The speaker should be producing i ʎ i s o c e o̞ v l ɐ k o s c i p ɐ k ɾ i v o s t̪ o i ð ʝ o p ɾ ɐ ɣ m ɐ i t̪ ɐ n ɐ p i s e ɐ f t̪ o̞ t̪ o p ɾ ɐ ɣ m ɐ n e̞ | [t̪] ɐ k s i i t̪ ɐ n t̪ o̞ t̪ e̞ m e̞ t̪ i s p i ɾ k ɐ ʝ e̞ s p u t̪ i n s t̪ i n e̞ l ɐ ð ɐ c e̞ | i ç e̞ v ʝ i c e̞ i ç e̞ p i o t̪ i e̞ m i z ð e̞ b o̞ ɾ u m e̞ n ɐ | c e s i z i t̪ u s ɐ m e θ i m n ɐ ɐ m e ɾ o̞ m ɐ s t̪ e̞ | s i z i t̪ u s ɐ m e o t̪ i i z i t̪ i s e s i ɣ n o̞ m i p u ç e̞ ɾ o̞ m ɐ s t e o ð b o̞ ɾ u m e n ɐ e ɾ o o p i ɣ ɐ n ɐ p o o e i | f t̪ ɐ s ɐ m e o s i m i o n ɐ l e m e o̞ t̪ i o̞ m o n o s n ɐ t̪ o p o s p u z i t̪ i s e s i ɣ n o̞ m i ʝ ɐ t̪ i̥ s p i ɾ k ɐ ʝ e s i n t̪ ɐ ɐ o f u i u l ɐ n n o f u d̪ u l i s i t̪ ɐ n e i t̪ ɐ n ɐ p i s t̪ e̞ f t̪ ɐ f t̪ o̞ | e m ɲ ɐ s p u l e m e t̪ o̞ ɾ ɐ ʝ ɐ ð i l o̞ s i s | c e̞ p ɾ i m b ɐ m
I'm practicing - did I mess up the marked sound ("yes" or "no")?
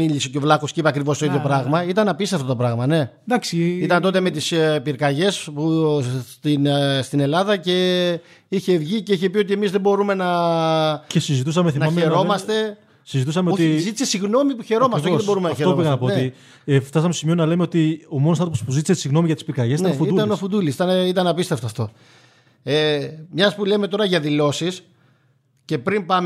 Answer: yes